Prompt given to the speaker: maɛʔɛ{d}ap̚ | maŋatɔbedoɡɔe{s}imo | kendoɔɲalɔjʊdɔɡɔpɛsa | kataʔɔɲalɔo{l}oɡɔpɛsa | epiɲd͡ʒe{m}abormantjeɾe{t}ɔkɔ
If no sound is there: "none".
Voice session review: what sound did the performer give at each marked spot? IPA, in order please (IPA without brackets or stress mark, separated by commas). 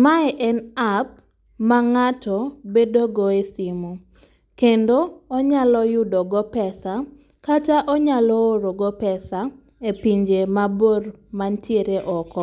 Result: n, s, ɾ, m, ʔ